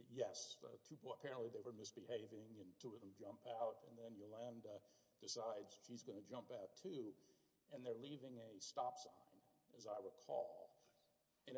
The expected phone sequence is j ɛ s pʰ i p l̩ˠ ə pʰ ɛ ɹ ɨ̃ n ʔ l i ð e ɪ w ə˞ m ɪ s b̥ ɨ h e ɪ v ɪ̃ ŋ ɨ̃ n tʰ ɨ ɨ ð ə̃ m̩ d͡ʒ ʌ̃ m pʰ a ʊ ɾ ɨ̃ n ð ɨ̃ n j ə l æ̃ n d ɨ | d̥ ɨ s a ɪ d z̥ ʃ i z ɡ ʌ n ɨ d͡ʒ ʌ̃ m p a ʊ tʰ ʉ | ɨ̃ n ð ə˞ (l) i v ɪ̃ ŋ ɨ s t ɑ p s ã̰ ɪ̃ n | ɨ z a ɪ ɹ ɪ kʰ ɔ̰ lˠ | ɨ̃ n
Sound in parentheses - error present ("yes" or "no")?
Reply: no